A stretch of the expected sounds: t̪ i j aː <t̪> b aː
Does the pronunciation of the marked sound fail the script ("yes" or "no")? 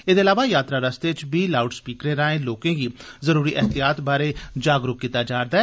no